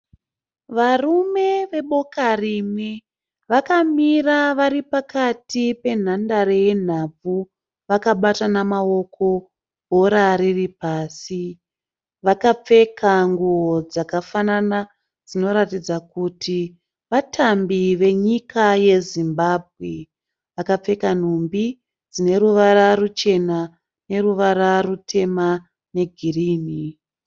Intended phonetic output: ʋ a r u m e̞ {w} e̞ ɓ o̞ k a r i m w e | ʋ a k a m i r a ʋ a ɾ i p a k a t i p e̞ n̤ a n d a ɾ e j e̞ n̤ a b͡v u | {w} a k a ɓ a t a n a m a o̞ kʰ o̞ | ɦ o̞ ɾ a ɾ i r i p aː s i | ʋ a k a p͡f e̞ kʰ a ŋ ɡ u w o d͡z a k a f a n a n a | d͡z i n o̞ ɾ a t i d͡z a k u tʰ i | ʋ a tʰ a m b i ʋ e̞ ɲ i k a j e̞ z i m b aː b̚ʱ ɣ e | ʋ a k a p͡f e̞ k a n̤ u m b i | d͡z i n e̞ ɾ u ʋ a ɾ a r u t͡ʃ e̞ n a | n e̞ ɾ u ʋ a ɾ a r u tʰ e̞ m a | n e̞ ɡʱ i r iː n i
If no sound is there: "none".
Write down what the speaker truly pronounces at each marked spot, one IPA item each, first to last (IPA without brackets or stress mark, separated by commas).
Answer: ʋ, ʋ